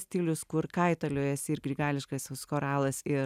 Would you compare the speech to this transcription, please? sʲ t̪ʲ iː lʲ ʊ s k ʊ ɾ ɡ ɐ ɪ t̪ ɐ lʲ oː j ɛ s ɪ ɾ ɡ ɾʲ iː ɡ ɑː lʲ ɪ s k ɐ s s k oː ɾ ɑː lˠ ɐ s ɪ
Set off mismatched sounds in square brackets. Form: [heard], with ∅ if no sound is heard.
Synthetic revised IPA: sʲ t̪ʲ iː lʲ ʊ s k ʊ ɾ [k] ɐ ɪ t̪ ɐ lʲ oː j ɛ s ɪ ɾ ɡ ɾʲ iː ɡ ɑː lʲ ɪ [ʃ] k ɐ s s k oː ɾ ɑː lˠ ɐ s ɪ